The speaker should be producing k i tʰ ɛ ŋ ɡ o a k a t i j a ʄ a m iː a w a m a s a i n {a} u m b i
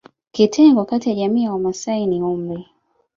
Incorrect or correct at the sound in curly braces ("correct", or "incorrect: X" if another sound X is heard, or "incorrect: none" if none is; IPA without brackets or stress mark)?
incorrect: i